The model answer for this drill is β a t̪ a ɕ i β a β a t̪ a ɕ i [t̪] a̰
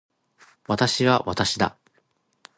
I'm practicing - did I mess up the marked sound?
yes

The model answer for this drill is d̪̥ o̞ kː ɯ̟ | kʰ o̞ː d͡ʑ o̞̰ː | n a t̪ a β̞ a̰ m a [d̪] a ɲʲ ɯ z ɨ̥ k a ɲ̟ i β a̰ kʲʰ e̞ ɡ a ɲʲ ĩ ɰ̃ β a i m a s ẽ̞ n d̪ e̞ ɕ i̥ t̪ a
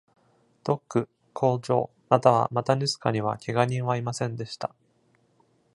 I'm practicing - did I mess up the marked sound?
yes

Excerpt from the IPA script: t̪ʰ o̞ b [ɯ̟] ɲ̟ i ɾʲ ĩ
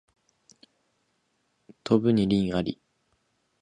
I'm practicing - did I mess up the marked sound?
no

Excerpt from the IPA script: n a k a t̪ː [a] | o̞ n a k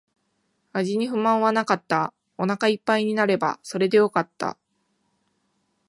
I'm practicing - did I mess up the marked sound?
no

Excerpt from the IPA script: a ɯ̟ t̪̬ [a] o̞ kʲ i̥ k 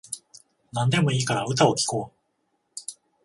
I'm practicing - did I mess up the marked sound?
no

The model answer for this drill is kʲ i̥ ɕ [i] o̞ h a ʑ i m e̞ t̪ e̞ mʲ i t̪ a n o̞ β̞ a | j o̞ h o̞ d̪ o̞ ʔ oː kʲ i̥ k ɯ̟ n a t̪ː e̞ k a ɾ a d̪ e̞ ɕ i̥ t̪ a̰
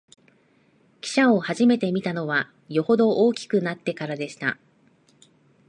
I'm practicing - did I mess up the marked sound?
yes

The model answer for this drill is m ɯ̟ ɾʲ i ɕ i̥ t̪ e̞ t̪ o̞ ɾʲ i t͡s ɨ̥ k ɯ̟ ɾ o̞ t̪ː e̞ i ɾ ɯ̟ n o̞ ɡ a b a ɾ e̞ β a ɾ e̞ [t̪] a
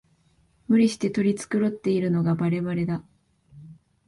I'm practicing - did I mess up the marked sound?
yes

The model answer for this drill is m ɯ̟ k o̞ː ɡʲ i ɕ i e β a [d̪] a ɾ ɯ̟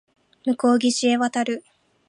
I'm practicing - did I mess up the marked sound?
yes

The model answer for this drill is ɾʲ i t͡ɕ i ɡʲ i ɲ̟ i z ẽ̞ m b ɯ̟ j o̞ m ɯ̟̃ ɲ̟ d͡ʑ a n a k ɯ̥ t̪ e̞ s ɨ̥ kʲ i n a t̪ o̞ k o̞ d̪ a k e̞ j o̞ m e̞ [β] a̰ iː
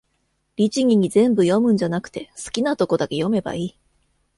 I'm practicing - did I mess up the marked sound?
yes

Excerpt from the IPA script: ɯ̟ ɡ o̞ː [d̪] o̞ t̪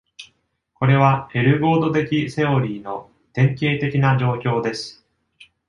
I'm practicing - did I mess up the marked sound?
no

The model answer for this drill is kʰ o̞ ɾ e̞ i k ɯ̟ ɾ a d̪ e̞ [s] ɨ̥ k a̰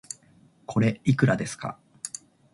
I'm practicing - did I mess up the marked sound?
no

